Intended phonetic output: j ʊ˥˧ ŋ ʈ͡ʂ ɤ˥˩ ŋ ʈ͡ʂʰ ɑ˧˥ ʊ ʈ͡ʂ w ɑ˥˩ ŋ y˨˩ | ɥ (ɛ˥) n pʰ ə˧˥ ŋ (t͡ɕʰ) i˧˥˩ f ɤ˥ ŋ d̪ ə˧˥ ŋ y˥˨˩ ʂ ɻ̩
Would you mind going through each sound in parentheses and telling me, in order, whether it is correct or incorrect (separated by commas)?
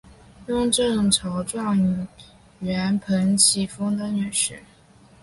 incorrect, correct